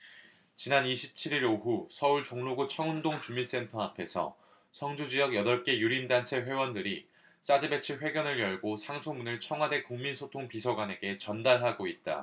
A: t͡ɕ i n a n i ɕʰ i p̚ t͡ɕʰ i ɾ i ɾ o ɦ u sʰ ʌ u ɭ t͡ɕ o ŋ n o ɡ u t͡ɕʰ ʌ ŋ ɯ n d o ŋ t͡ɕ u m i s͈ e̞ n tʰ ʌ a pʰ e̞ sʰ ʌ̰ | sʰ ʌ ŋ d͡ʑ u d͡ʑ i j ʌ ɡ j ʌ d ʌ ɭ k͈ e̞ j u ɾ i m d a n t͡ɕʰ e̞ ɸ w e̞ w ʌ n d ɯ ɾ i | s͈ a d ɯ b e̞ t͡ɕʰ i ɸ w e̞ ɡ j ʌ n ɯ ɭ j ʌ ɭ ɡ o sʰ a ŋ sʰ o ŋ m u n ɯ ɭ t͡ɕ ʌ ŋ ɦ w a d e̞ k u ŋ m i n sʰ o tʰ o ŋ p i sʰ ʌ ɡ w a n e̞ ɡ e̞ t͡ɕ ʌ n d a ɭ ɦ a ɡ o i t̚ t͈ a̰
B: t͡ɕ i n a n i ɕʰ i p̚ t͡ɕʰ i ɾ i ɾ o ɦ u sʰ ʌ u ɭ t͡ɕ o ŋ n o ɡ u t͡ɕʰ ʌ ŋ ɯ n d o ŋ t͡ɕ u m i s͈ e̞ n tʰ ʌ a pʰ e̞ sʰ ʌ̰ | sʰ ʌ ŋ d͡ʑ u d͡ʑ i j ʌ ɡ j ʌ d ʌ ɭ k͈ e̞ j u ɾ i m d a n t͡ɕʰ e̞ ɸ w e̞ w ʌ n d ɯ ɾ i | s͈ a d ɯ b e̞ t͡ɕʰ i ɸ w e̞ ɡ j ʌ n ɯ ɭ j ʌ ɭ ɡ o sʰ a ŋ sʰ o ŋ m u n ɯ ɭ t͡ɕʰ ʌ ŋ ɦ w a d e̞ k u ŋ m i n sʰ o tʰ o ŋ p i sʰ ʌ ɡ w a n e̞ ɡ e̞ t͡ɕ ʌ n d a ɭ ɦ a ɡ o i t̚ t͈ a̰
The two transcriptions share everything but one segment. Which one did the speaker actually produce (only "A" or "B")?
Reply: B